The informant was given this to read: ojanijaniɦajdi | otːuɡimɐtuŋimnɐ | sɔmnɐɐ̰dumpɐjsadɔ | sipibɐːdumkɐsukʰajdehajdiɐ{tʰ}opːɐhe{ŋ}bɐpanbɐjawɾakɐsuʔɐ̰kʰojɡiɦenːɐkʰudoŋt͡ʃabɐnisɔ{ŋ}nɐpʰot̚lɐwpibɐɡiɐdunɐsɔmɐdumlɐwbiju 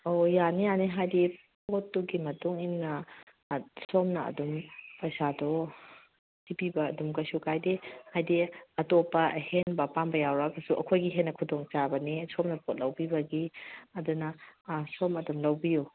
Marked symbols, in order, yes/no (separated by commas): no, no, no